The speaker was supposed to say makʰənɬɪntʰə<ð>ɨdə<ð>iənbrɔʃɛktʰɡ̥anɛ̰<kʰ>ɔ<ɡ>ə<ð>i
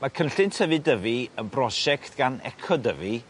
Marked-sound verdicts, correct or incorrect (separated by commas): incorrect, incorrect, correct, incorrect, incorrect